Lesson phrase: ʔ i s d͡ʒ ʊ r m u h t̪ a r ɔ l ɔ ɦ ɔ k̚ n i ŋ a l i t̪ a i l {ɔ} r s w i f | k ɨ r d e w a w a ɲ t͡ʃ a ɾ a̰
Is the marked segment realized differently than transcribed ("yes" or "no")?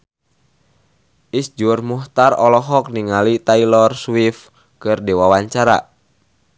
no